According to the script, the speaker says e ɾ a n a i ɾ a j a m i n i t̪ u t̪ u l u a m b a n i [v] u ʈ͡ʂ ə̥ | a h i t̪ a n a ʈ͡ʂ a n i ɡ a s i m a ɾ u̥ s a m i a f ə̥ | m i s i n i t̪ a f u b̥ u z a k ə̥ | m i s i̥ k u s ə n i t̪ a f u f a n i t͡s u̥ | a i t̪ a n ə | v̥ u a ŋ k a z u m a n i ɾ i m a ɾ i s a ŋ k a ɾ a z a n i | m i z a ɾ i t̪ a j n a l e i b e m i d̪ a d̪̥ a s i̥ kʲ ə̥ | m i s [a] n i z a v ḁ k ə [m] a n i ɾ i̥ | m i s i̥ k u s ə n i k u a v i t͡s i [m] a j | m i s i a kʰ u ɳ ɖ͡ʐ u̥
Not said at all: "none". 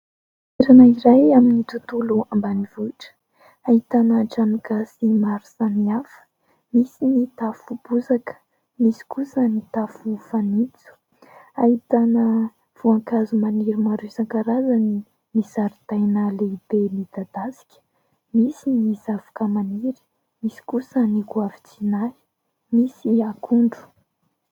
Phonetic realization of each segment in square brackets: v, i, m, n

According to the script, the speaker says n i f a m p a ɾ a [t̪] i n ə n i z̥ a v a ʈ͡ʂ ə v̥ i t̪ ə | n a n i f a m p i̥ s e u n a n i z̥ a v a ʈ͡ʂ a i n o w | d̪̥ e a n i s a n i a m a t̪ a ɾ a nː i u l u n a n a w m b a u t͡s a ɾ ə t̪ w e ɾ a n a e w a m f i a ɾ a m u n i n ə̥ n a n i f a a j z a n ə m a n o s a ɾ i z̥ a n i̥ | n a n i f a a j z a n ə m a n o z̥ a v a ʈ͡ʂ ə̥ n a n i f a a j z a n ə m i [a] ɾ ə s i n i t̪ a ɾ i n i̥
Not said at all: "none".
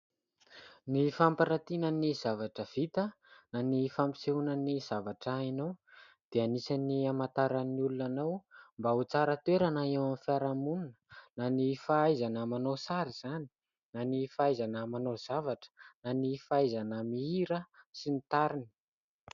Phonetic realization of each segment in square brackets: t̪, i

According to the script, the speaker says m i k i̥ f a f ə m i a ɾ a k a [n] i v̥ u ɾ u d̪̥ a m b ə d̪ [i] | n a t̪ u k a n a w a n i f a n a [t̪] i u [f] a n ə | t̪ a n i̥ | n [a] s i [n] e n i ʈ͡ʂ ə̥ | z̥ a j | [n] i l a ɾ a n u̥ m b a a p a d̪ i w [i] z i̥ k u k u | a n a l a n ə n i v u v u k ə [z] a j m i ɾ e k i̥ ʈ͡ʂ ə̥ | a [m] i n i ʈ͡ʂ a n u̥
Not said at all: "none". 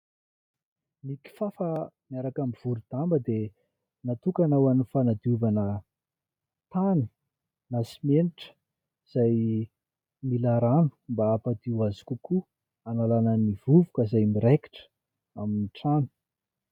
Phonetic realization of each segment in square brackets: m, e, d̪, v, a, m, m, a, z, m

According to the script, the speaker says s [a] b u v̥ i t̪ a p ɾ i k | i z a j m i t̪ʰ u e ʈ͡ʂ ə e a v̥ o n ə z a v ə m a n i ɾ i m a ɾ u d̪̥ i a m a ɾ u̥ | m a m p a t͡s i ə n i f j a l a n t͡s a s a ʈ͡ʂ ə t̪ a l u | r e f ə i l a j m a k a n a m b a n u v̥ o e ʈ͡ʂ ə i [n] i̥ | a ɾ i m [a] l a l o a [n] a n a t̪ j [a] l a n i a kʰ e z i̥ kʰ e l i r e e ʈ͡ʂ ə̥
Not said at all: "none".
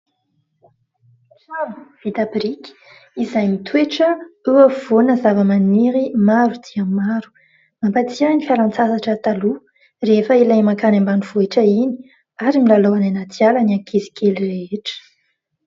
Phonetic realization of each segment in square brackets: a, n, i, n, a

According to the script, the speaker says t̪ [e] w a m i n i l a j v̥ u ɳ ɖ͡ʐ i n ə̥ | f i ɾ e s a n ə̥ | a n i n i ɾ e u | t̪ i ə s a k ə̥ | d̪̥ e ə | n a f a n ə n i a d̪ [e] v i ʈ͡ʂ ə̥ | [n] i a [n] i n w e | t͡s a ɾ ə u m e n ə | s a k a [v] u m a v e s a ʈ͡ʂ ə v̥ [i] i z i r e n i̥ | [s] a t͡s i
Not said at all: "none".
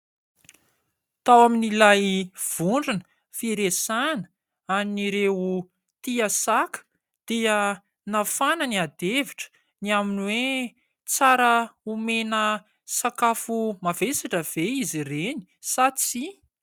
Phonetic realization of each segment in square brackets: a, e, n, m, f, e, s

